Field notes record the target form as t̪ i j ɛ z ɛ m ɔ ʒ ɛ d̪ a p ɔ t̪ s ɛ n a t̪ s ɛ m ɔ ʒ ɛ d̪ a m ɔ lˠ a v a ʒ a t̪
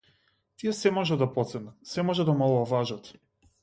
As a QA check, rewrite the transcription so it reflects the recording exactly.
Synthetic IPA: t̪ i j ɛ s ɛ m ɔ ʒ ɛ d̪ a p ɔ t̪ s ɛ n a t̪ s ɛ m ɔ ʒ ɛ d̪ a m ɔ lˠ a v a ʒ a t̪